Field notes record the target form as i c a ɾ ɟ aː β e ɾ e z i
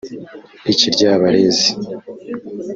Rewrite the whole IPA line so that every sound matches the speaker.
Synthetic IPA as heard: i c i ɾ ɟ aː β a ɾ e z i

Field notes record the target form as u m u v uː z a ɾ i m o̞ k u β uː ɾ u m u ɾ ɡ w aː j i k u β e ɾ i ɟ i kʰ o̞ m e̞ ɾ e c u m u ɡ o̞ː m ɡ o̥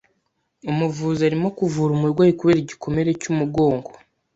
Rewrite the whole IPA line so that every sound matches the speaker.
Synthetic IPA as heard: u m u v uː z a ɾ i m o̞ k u v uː ɾ u m u ɾ ɡ w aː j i k u β e ɾ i ɟ i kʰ o̞ m e̞ ɾ e c u m u ɡ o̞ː ŋ ɡ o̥

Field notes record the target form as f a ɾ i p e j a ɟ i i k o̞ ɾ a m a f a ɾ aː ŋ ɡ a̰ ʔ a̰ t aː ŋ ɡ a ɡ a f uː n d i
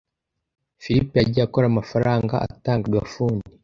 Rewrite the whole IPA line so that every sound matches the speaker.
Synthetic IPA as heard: f i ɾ i p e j a ɟ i a k o̞ ɾ a m a f a ɾ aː ŋ ɡ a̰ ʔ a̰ t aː ŋ ɡ a ɡ a f uː n d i

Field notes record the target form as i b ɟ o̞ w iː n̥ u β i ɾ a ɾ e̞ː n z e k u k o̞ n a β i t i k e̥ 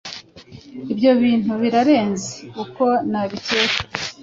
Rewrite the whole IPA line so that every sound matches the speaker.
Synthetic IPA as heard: i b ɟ o̞ β iː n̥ u β i ɾ a ɾ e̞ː n z e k u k o̞ n a β i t e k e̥

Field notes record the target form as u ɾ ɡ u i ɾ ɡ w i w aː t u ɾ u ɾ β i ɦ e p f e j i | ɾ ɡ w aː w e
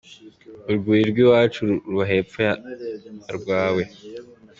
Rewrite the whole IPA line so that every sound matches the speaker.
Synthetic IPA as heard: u ɾ ɡ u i ɾ ɡ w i w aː t͡ʃ u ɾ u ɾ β a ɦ e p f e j a | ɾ ɡ w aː w e

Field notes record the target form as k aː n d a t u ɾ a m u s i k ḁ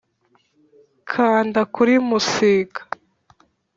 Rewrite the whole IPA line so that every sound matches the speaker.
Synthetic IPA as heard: kʰ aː n d a k u ɾ i m u s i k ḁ

